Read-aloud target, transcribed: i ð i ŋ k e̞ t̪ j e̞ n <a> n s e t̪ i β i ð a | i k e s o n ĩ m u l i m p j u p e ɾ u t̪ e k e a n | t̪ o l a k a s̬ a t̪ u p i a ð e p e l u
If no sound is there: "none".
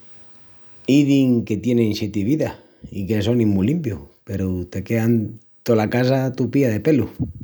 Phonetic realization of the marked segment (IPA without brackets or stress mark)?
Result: e